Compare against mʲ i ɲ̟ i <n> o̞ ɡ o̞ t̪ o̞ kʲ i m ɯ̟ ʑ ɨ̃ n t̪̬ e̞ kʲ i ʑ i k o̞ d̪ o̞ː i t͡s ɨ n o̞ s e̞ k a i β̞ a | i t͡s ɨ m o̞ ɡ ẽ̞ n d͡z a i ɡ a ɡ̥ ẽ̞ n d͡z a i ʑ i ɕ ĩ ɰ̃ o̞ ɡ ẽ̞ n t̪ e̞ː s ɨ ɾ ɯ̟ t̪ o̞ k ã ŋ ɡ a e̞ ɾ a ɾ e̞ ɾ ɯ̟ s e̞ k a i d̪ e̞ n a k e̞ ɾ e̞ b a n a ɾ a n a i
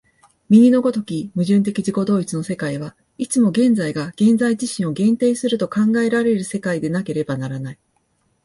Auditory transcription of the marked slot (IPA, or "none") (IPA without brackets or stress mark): n